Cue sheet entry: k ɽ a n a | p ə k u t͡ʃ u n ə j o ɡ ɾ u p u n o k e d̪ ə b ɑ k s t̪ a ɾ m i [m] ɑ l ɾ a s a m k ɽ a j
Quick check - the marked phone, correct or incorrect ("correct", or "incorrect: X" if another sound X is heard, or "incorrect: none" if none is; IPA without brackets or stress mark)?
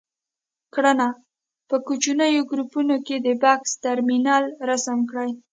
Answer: incorrect: n